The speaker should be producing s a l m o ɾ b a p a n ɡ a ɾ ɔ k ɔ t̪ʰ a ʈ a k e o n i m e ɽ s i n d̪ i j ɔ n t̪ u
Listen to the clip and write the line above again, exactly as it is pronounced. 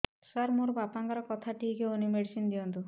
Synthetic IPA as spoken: s a ɾ m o ɾ b a p a ŋ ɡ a ɾ ɔ k ɔ t̪ʰ a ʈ i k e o n i m e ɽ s i n d̪ i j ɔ n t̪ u

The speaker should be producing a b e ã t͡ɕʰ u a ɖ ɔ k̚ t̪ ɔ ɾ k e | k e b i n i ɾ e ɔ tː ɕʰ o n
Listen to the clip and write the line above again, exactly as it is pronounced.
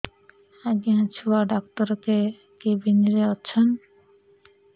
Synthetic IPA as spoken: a ɡ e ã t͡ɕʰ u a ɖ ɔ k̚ t̪ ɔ ɾ k e | k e b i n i ɾ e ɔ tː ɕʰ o n

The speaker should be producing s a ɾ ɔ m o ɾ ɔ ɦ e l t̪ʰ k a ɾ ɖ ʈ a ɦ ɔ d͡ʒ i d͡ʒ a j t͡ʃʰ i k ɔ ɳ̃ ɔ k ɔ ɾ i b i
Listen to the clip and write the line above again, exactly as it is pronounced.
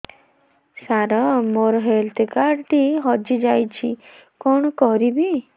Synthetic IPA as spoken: s a ɾ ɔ m o ɾ ɔ ɦ e l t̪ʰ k a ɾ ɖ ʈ i ɦ ɔ d͡ʒ i d͡ʒ a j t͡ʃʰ i k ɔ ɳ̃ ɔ k ɔ ɾ i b i

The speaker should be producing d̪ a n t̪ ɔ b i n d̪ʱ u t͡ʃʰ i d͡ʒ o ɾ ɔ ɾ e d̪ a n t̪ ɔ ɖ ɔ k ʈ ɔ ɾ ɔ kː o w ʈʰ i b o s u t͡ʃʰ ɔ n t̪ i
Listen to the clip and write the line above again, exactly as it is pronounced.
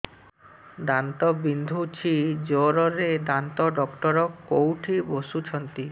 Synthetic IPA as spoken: d̪ a n t̪ ɔ b i n d̪ʱ u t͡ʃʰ i d͡ʒ o ɾ ɔ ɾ e d̪ a n t̪ ɔ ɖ ɔ k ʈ ɔ ɾ ɔ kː o w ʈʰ i b o s u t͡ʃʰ ɔ n t̪ i

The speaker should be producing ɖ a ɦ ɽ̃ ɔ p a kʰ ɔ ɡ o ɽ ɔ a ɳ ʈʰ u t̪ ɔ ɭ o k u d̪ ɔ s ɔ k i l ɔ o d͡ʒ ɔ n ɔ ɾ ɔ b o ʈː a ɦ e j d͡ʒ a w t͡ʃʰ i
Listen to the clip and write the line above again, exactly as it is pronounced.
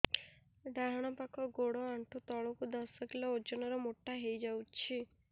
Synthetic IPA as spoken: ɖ a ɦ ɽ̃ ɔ p a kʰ ɔ ɡ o ɽ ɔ a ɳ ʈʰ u t̪ ɔ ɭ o k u d̪ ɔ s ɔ k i l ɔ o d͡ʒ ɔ n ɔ ɾ ɔ m o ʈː a ɦ e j d͡ʒ a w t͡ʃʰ i

